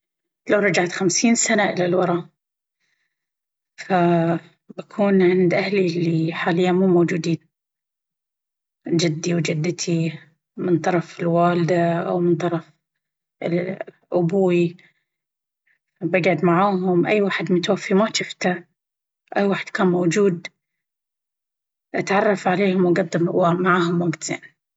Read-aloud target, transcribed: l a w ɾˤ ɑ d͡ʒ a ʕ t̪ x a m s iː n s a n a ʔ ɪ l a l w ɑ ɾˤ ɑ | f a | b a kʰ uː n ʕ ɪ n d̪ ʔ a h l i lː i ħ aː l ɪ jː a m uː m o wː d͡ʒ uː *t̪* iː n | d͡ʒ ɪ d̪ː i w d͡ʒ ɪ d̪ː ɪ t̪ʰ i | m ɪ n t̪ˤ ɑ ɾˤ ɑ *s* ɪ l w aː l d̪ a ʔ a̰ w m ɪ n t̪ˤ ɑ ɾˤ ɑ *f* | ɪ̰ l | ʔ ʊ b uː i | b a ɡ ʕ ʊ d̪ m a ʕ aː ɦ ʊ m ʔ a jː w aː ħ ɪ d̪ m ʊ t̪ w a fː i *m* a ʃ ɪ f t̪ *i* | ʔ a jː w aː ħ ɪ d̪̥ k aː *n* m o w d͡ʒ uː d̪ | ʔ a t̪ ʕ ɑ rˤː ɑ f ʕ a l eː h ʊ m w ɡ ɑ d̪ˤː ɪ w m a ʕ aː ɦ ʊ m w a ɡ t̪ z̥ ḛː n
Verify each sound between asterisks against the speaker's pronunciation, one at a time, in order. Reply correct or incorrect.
incorrect: d̪, incorrect: f, correct, correct, incorrect: a, correct

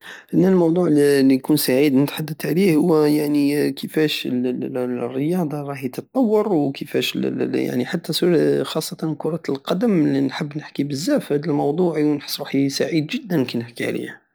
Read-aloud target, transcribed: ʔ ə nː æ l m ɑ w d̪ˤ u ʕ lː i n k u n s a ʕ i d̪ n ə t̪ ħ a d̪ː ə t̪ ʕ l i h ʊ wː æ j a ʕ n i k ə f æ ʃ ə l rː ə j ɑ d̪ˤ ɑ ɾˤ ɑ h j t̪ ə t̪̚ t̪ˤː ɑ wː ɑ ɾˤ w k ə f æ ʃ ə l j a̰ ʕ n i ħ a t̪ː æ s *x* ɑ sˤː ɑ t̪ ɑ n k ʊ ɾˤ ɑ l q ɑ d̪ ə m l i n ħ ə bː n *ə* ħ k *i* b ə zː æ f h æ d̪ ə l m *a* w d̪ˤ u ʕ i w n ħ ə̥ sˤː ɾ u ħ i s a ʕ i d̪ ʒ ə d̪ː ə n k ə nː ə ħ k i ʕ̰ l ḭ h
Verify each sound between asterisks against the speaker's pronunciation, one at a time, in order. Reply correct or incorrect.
correct, correct, correct, incorrect: ɑ

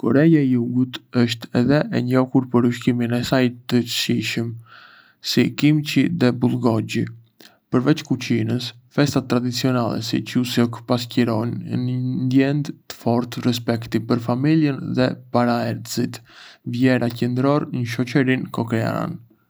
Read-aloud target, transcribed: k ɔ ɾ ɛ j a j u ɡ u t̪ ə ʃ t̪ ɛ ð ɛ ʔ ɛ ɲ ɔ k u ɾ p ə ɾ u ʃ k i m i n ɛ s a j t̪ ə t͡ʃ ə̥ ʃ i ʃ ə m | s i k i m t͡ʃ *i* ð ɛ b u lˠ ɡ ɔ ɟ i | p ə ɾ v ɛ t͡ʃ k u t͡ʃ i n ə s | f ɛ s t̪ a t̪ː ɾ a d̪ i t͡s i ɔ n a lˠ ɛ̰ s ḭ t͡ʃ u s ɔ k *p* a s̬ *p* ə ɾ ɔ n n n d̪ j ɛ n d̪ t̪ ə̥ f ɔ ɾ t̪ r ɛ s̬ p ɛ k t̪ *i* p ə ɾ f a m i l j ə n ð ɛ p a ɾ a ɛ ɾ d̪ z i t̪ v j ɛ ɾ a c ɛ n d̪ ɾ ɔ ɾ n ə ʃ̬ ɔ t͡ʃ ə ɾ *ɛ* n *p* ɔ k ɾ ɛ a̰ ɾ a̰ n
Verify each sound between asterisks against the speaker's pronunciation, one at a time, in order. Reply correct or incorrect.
correct, correct, incorrect: c, correct, incorrect: i, incorrect: k

